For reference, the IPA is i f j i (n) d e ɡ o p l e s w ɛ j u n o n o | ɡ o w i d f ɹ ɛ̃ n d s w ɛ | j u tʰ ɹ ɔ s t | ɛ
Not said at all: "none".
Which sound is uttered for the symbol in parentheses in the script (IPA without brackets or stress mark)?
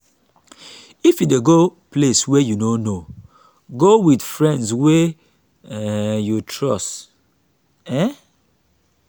none